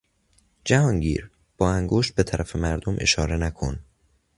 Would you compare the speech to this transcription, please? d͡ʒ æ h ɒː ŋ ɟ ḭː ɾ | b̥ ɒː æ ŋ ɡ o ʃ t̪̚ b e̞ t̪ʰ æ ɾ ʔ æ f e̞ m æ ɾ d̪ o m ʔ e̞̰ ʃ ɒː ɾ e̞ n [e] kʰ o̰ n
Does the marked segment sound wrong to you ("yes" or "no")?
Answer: yes